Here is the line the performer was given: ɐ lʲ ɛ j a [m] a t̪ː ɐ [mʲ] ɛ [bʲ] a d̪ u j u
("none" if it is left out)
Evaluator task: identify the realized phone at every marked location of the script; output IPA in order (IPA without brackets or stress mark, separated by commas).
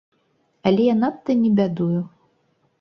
n, nʲ, bʲ